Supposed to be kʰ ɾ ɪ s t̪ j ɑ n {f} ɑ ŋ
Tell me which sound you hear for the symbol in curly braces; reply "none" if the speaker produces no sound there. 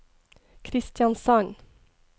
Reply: s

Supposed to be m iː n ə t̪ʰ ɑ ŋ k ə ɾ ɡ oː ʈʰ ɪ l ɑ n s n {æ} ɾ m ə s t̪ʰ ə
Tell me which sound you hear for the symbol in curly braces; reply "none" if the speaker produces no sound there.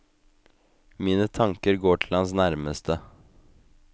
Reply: æ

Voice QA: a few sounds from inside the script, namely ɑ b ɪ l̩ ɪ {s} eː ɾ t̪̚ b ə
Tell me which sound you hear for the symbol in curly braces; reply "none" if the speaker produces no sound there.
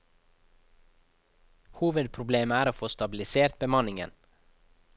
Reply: s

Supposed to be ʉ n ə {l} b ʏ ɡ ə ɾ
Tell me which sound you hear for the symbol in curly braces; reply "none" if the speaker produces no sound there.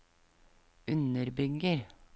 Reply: ɾ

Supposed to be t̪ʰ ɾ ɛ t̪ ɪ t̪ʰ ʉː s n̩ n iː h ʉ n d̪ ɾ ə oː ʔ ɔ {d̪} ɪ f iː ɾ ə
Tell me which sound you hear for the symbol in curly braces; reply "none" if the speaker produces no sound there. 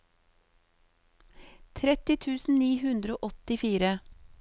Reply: t̪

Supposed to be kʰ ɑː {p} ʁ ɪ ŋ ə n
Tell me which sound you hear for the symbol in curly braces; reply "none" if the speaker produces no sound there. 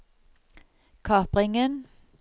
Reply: p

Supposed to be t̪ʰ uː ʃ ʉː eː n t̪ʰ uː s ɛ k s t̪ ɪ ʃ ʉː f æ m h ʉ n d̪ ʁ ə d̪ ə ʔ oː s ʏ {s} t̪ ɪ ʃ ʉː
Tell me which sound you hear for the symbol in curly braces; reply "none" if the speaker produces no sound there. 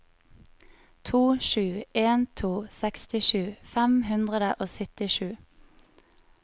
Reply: none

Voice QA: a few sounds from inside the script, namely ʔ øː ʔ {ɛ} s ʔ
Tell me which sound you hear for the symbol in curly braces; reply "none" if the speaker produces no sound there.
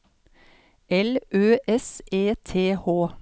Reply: ɛ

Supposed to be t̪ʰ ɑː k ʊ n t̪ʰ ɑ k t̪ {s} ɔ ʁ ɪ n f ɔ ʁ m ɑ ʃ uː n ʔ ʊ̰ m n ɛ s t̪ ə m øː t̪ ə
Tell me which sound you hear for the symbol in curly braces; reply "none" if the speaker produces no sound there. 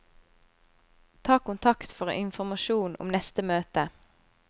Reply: f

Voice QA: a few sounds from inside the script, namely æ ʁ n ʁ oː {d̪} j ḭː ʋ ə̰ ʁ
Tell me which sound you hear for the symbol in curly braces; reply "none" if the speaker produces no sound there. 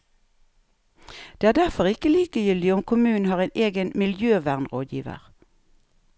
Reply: d̪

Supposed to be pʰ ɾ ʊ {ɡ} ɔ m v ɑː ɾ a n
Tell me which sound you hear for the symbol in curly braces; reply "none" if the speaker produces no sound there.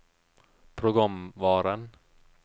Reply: ɡ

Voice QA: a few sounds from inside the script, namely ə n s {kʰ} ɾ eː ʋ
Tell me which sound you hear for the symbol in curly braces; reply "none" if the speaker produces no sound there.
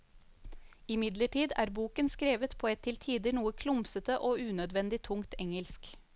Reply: k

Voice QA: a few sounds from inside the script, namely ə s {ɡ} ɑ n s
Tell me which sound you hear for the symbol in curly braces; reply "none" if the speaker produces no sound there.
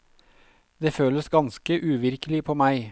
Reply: ɡ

